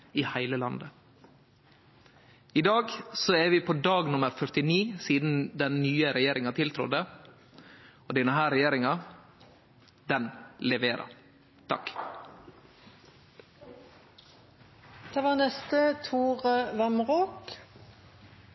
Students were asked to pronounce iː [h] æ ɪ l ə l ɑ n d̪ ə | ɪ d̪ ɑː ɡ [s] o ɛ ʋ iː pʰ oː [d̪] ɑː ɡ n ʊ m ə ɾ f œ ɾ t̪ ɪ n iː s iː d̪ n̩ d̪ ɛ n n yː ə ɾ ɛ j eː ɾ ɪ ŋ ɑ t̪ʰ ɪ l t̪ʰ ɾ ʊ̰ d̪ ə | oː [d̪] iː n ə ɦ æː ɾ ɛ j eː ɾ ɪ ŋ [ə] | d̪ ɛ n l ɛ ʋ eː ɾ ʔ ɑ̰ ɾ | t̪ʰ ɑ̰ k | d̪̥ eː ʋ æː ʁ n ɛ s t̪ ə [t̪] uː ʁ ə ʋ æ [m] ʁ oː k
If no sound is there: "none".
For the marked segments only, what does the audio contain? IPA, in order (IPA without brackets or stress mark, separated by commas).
h, s, d̪, d̪, ɑ, t̪ʰ, m